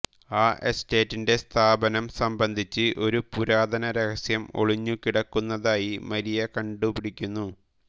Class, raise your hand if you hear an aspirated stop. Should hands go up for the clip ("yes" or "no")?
yes